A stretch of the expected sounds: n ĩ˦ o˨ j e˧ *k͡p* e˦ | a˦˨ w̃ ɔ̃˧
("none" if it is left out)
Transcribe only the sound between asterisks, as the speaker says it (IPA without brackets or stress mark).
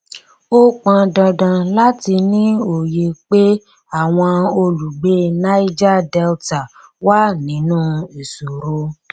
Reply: k͡p